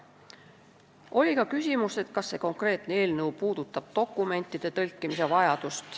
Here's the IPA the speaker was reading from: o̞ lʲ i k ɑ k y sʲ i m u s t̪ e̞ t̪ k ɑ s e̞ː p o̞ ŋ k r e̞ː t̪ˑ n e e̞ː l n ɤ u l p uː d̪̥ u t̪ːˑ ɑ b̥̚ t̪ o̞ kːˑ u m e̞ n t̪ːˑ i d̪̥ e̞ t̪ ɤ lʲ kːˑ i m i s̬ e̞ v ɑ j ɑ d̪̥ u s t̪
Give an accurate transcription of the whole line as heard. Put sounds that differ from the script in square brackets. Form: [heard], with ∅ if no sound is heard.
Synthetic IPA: o̞ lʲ i k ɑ k y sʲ i m u s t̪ e̞ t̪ k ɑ [sː] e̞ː [k] o̞ ŋ k r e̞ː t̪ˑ n e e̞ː l n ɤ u [∅] p uː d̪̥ u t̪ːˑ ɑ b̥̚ t̪ o̞ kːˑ u m e̞ n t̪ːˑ i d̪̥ e̞ t̪ ɤ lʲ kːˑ i m i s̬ e̞ v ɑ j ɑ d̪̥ u s t̪